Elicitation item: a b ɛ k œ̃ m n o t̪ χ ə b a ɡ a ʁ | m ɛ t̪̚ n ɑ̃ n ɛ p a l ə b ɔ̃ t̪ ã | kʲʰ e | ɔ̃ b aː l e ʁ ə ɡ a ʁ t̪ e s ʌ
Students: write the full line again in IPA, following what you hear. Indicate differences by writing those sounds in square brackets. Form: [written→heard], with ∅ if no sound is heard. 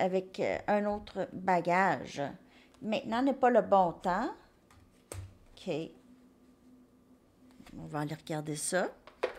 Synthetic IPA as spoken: a [b→v] ɛ k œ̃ [m→∅] n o t̪ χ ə b a ɡ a [ʁ→ʒ] | m [ɛ→ɛ̃] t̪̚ n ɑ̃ n ɛ p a l ə b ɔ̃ t̪ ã | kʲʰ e | ɔ̃ [b→v] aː l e ʁ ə ɡ a ʁ [t̪→d̪] e s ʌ